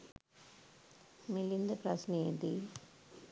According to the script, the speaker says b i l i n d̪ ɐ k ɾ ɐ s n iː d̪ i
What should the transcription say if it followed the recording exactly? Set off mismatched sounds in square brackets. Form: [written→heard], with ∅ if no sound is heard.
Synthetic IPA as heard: [b→m] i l i n d̪ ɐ [k→p] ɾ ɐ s n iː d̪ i